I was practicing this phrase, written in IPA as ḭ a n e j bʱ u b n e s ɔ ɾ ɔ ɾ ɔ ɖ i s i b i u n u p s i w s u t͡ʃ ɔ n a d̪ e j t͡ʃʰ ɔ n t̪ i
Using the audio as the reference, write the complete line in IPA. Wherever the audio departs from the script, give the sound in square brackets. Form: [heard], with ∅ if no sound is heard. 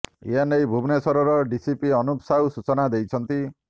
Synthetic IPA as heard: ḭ a n e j bʱ u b n e s ɔ ɾ ɔ ɾ ɔ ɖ i s i [p] i [ɔ] n u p s [a] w s u t͡ʃ ɔ n a d̪ e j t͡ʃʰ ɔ n t̪ i